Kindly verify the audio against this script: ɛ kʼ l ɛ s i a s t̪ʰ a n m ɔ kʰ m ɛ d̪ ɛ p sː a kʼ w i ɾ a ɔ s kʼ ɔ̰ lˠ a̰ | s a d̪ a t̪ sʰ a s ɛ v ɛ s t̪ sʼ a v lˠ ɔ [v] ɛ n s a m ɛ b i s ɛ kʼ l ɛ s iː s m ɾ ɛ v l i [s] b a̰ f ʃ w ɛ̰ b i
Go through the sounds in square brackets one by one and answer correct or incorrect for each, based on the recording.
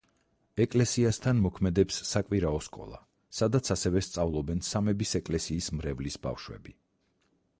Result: incorrect: b, correct

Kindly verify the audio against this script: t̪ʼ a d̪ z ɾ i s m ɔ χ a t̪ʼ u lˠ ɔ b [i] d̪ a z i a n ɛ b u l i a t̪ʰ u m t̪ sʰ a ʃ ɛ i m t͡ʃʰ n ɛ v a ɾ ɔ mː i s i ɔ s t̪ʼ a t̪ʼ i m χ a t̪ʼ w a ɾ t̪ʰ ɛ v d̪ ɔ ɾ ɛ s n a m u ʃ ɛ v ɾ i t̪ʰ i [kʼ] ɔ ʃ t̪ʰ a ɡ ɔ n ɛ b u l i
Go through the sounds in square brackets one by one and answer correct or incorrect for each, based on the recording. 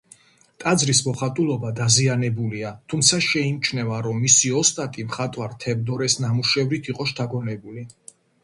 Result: incorrect: a, incorrect: qʼ

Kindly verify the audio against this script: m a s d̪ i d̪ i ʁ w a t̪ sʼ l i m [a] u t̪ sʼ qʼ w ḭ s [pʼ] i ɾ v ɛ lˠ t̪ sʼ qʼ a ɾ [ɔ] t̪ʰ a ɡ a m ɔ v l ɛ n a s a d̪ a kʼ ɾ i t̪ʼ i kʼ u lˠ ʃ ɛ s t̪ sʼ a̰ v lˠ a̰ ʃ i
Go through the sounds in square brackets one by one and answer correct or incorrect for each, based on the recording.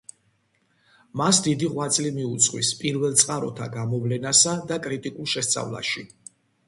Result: incorrect: i, correct, correct

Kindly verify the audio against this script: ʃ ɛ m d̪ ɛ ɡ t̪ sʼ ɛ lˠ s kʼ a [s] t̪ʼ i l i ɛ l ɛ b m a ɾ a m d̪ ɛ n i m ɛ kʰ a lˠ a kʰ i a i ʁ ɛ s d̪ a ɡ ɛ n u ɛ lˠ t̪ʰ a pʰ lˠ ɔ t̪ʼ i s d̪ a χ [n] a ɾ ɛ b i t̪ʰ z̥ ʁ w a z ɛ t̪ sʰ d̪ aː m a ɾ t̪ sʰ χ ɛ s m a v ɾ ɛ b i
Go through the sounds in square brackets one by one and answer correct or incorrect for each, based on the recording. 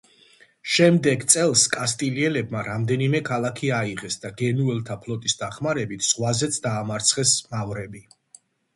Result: correct, incorrect: m

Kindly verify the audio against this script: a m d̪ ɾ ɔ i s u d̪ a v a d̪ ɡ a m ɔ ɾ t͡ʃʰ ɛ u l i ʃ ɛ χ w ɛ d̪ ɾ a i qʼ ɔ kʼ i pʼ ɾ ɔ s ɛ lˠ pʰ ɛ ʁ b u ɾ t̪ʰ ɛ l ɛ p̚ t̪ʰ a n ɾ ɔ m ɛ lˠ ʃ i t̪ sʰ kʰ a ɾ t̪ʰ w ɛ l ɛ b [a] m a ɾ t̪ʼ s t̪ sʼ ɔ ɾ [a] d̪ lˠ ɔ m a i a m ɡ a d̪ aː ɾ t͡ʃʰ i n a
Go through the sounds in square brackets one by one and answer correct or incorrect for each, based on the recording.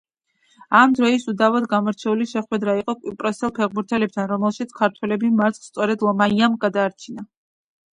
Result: incorrect: i, incorrect: ɛ

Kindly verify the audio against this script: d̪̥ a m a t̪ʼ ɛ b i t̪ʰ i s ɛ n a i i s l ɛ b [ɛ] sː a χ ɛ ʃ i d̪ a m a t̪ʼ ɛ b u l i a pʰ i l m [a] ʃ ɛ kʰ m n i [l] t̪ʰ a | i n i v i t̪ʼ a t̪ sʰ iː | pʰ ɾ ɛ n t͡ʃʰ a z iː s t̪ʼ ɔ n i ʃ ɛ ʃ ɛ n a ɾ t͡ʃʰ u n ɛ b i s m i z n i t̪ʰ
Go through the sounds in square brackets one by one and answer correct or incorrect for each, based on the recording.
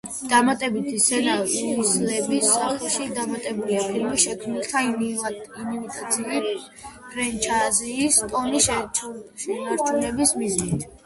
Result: incorrect: i, incorrect: i, correct

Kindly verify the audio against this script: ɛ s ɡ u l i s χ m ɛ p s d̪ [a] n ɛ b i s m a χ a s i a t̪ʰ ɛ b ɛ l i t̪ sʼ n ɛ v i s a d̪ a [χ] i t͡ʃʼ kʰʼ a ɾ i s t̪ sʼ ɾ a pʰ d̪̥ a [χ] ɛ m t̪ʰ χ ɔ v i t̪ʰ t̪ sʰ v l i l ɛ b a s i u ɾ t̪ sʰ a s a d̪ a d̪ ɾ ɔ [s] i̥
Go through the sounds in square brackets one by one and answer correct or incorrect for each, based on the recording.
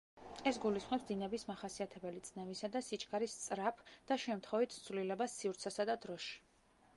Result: incorrect: i, incorrect: s, incorrect: ʃ, incorrect: ʃ

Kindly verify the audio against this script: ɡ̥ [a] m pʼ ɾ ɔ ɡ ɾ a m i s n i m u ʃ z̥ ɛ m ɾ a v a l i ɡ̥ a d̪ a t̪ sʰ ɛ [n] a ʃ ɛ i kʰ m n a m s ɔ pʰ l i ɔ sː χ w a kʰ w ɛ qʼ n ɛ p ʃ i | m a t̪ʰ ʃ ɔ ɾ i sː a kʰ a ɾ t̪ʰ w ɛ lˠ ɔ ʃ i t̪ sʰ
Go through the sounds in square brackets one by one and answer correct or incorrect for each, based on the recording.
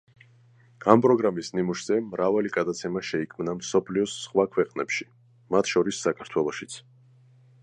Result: correct, incorrect: m

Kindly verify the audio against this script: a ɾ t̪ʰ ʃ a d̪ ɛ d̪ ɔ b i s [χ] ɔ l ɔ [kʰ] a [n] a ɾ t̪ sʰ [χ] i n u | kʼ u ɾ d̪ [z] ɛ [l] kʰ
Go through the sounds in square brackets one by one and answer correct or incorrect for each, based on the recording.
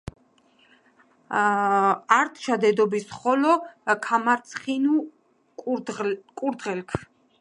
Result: correct, correct, incorrect: m, correct, incorrect: ʁ, correct

